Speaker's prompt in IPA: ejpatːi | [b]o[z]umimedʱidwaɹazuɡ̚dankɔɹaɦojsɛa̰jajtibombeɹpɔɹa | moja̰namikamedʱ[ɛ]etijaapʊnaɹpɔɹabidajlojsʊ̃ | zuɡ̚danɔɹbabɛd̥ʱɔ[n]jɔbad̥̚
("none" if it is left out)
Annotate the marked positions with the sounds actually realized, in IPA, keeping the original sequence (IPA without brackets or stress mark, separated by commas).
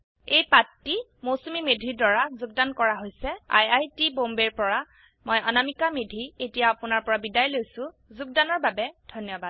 m, s, i, n